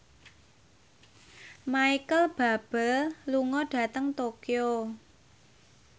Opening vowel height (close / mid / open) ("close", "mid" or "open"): open